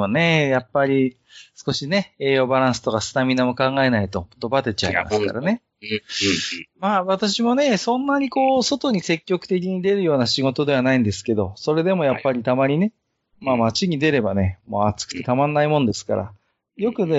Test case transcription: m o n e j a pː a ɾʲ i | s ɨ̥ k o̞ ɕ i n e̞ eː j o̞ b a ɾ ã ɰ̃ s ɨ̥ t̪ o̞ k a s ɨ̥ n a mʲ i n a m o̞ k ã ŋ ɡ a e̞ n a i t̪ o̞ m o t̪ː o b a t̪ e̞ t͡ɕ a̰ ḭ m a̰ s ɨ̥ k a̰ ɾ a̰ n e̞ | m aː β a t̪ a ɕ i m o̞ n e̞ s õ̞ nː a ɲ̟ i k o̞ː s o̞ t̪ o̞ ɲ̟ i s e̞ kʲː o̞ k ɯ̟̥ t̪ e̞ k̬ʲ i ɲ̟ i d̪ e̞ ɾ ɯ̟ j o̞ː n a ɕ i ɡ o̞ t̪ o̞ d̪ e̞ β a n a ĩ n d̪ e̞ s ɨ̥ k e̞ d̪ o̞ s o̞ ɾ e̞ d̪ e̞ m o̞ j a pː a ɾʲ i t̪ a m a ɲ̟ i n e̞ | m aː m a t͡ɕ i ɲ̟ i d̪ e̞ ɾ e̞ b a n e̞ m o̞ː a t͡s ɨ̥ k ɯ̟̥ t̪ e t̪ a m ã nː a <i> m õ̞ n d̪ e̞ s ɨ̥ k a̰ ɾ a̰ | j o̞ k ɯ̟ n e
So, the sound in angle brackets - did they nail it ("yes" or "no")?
yes